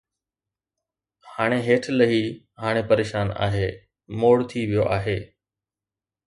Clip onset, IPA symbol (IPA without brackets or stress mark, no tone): h